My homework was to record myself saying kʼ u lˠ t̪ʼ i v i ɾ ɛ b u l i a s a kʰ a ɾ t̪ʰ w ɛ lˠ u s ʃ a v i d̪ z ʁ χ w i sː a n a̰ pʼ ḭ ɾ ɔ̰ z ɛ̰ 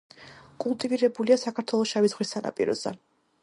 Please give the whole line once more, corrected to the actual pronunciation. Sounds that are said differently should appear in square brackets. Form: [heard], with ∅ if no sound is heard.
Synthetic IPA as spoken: kʼ u lˠ t̪ʼ i v i ɾ ɛ b u l i a s a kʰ a ɾ t̪ʰ w ɛ lˠ [ɔ] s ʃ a v i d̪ z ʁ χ w i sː a n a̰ pʼ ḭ ɾ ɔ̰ z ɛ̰